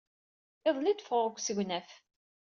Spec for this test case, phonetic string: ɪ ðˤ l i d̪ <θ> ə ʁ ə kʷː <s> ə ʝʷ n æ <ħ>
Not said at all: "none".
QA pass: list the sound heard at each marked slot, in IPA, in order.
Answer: f, s, f

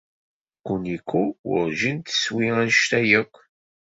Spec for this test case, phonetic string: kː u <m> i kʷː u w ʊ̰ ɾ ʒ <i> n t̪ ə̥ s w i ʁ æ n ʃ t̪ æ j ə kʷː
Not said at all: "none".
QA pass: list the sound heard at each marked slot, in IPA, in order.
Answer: n, i

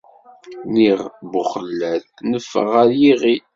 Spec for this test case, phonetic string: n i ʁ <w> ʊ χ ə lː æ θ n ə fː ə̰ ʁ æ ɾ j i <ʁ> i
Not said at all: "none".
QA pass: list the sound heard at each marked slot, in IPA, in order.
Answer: b, ʁ

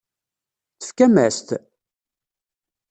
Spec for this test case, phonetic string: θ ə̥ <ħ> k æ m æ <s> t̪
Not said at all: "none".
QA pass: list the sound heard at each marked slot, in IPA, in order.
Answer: f, s

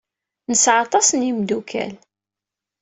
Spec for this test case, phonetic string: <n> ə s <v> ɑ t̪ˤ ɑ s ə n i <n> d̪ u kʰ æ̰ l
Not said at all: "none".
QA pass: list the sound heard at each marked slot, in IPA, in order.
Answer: n, ʕ, m

